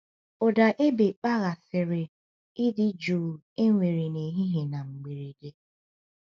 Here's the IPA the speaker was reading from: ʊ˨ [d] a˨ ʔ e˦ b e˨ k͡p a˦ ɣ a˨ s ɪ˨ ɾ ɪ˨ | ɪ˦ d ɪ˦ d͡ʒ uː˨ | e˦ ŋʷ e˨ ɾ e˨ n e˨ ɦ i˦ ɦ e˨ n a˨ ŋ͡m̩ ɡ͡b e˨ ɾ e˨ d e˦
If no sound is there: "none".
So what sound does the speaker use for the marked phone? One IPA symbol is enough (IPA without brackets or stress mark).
d